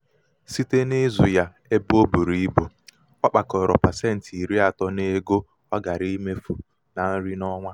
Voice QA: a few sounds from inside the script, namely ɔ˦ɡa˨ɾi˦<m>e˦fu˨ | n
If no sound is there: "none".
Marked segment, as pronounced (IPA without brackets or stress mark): m